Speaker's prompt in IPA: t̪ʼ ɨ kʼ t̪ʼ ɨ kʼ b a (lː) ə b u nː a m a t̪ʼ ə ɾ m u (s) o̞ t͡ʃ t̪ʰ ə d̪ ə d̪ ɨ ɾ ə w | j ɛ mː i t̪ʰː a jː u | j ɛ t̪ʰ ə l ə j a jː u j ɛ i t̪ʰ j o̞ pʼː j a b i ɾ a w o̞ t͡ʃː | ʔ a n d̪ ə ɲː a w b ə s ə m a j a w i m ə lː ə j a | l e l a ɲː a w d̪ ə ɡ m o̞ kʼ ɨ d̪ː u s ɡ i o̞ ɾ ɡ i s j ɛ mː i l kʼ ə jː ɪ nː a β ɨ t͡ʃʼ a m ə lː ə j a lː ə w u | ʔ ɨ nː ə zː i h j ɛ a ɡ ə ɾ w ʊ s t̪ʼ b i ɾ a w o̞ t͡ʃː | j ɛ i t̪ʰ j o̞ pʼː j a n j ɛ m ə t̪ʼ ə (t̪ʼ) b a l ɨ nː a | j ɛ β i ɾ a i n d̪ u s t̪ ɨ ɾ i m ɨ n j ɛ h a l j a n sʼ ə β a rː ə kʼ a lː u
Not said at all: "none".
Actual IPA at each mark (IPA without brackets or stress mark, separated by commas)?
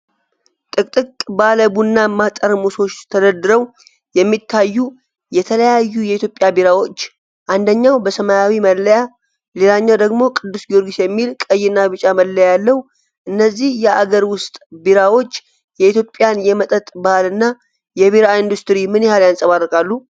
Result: l, s, t̪ʼ